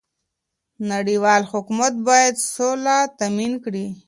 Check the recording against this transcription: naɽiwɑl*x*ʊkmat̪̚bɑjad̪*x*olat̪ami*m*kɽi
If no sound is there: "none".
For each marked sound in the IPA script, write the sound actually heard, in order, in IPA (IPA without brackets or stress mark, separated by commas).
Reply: h, s, n